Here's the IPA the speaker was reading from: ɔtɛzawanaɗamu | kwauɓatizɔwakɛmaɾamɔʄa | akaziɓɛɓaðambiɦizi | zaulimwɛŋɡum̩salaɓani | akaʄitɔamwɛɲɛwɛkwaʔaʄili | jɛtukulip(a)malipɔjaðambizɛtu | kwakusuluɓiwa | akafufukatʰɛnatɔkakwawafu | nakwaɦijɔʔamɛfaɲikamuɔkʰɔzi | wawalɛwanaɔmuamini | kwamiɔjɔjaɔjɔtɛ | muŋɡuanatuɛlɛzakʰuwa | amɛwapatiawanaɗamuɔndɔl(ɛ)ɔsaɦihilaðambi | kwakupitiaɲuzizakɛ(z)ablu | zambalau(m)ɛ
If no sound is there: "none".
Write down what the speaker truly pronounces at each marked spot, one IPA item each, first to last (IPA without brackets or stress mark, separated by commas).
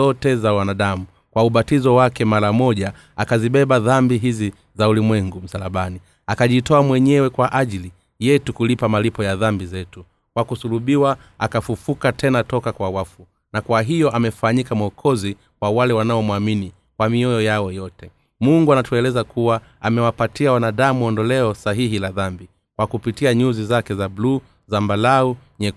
a, ɛ, z, ɲ